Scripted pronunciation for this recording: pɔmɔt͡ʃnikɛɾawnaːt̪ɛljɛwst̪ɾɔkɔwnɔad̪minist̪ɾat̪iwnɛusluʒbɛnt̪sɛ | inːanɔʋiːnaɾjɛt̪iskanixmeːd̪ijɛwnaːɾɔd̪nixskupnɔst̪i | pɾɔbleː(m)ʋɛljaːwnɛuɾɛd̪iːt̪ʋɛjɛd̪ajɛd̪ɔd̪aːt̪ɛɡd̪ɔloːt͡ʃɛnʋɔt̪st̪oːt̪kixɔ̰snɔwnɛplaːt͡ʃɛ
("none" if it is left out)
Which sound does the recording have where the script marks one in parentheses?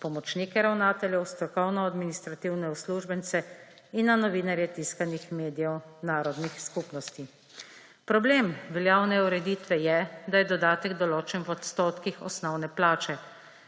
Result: m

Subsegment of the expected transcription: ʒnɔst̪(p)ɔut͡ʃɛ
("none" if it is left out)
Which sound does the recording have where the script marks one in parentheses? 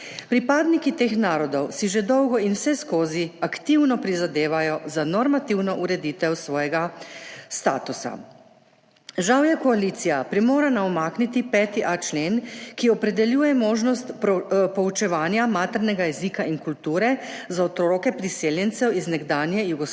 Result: p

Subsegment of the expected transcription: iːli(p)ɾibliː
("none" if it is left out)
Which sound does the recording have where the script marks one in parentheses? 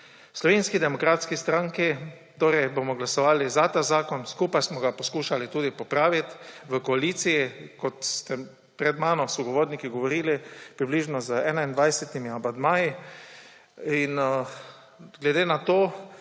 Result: p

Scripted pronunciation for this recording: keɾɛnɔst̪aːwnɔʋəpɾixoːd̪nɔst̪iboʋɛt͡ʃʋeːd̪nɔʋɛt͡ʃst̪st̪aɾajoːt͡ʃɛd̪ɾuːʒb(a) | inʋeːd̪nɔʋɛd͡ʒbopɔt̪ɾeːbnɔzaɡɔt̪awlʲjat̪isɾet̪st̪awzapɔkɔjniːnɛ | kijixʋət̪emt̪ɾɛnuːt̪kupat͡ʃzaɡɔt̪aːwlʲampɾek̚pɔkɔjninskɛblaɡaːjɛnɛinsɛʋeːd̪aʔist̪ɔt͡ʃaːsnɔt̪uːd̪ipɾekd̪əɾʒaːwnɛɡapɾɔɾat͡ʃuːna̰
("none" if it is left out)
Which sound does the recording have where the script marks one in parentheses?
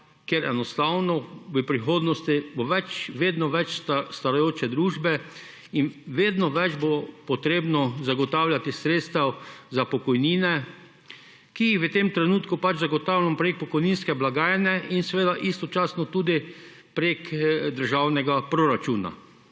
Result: ɛ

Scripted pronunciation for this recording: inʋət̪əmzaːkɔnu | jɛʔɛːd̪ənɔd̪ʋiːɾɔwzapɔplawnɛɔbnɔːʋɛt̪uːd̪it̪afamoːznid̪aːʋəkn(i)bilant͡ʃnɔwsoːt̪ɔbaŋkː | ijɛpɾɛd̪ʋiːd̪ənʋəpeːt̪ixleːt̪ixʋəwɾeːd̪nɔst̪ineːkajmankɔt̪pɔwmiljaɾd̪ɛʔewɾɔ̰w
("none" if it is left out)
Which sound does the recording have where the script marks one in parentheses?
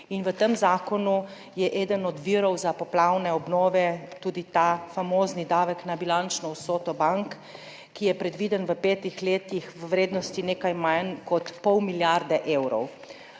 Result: a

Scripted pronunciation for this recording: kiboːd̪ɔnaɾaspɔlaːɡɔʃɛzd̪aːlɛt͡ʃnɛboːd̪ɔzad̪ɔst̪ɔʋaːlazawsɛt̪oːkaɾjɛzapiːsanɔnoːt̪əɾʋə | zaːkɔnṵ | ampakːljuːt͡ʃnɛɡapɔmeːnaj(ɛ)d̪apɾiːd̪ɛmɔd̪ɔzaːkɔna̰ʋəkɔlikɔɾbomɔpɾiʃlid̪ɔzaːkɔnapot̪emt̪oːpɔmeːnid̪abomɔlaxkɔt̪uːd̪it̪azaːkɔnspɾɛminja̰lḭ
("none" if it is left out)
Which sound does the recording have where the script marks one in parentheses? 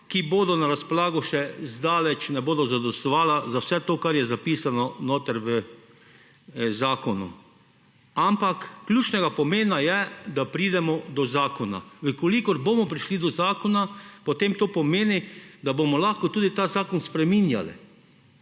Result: ɛ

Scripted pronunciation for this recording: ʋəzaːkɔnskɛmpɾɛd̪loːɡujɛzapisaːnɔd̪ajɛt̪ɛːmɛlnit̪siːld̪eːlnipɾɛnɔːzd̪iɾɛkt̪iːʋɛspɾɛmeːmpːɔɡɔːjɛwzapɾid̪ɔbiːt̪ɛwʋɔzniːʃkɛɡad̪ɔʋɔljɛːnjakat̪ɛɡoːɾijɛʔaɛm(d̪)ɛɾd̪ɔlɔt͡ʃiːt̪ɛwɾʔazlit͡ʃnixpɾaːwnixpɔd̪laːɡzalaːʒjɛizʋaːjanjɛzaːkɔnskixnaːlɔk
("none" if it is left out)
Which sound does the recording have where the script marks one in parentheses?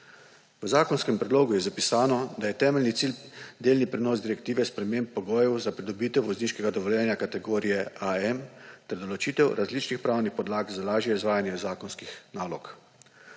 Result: t̪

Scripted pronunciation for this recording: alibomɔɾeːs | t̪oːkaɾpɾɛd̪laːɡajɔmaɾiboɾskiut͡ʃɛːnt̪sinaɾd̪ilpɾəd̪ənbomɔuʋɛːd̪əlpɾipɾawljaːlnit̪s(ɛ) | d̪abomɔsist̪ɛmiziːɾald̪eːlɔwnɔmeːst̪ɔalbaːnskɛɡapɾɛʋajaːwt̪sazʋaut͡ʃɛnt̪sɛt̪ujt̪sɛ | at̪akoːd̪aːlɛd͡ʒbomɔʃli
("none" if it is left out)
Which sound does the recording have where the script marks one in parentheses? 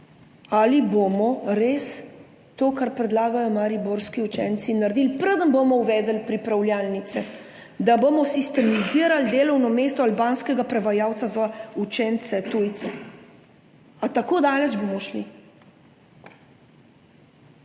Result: ɛ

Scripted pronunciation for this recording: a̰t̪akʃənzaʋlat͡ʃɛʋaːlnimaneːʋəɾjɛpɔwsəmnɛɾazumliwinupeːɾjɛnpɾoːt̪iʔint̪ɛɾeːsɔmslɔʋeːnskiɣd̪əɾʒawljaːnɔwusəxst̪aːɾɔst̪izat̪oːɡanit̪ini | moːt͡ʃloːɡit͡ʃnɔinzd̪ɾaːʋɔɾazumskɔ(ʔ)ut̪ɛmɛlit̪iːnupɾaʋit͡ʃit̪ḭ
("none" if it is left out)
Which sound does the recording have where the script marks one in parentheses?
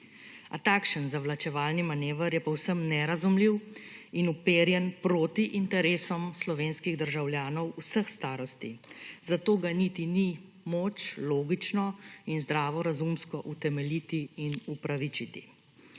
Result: ʔ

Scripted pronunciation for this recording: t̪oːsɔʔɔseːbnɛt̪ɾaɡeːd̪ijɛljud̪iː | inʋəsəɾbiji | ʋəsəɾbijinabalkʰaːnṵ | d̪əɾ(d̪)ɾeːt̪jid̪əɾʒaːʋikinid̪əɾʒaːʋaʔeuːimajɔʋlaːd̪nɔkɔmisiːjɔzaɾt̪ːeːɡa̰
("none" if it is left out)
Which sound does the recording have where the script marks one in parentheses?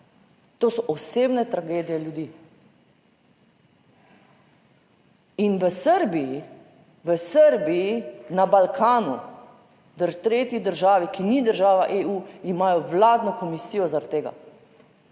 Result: t̪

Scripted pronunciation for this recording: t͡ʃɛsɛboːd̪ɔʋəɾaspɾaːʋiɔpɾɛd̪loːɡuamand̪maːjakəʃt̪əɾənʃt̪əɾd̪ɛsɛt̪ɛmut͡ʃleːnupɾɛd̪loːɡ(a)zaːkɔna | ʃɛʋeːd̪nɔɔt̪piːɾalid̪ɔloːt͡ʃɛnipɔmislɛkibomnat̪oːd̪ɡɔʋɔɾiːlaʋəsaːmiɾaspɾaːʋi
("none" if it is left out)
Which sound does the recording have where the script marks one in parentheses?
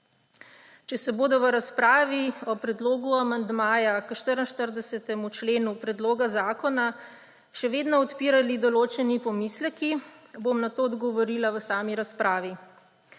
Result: a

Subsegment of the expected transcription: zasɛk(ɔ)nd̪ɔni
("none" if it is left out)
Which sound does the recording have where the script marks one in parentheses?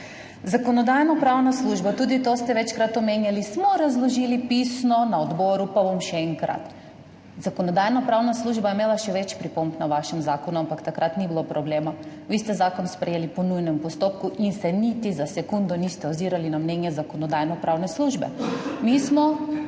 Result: u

